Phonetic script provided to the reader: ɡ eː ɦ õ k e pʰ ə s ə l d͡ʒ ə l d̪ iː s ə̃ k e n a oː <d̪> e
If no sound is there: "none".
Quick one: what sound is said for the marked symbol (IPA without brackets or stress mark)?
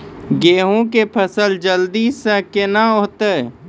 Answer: t̪